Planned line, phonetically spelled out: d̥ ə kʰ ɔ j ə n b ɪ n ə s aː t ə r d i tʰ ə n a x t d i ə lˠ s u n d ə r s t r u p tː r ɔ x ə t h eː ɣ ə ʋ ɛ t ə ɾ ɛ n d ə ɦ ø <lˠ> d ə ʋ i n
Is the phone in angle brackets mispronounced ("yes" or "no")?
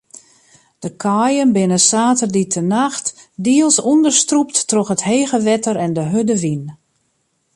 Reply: yes